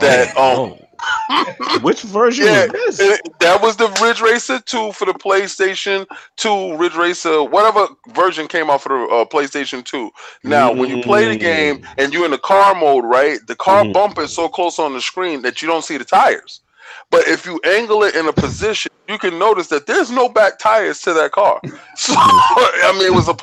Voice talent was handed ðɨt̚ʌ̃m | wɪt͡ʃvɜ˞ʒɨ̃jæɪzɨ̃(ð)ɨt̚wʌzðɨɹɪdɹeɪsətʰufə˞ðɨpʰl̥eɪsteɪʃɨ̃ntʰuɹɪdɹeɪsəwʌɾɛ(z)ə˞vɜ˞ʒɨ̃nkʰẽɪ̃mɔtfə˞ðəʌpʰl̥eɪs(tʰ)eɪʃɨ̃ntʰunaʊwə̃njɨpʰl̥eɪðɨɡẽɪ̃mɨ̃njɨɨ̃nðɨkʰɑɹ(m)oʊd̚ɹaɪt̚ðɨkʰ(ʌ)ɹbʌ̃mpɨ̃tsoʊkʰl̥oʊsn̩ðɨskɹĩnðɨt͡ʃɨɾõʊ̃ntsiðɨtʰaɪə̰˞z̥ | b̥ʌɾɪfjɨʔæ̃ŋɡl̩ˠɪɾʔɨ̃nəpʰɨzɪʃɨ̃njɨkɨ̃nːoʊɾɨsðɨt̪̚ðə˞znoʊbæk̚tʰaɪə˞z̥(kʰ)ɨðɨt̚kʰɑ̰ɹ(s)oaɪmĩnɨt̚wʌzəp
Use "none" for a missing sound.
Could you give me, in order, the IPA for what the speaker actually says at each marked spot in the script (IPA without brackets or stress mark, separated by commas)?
ð, v, t, m, ɑ, tʰ, s